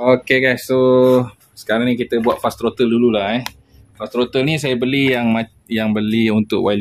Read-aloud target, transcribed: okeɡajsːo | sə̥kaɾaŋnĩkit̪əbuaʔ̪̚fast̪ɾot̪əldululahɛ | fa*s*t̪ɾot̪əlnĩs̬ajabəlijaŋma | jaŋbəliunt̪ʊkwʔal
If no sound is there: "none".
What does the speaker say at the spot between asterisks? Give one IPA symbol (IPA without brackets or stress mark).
s